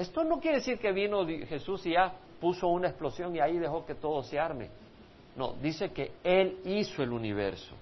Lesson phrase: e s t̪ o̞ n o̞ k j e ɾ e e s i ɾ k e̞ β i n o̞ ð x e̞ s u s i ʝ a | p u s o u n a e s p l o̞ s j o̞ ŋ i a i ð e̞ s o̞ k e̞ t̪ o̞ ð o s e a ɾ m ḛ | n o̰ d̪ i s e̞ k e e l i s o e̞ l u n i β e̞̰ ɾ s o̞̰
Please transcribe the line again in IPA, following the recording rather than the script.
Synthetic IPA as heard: e s t̪ o̞ n o̞ k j e ɾ e e s i ɾ k e̞ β i n o̞ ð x e̞ s u s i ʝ a | p u s o u n a e s p l o̞ s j o̞ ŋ i a i ð e̞ x o̞ k e̞ t̪ o̞ ð o s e a ɾ m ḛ | n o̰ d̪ i s e̞ k e e l i s o e̞ l u n i β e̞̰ ɾ s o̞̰